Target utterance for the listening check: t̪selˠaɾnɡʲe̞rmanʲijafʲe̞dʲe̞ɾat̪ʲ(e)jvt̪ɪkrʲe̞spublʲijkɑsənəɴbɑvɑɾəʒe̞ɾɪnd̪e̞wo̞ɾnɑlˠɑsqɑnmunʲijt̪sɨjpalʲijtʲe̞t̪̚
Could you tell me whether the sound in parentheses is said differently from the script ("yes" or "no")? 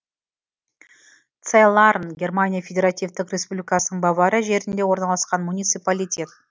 yes